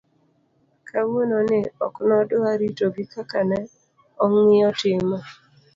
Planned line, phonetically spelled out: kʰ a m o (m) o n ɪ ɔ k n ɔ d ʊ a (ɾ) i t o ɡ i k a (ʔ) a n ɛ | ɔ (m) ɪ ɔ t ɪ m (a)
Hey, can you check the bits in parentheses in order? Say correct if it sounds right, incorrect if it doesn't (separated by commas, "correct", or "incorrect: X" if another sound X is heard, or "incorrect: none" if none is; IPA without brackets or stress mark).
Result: incorrect: n, correct, incorrect: k, incorrect: ŋ, correct